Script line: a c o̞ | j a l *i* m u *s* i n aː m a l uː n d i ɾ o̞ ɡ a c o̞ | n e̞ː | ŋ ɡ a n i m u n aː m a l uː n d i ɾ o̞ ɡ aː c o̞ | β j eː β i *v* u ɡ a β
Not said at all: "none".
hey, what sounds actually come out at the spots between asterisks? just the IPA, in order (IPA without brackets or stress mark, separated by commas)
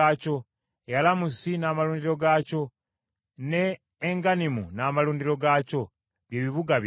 a, s, β